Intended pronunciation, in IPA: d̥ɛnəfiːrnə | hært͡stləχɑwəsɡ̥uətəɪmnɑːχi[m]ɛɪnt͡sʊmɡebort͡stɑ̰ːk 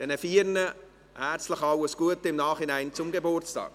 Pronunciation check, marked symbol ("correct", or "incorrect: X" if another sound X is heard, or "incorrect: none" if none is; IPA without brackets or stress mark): incorrect: n